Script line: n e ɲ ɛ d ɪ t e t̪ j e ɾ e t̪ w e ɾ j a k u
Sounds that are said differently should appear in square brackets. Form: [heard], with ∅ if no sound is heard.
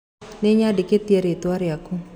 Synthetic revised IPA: n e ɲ [a] d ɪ [k] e t̪ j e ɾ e t̪ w [a] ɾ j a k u